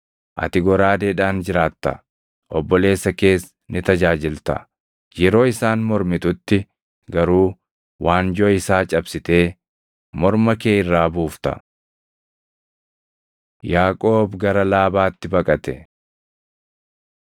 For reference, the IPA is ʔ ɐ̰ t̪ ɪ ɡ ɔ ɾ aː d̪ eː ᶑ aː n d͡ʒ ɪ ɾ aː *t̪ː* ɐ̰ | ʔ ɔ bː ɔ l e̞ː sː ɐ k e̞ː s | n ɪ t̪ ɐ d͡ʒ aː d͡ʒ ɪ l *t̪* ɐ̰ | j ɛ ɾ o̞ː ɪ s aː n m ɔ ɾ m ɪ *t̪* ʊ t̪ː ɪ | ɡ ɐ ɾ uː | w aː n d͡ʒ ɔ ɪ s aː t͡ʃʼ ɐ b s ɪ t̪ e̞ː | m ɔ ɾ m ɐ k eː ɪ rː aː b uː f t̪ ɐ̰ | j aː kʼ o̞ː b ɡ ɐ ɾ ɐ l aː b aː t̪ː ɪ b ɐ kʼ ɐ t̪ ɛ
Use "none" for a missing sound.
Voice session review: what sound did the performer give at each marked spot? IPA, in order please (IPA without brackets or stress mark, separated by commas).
t̪ː, t̪, t̪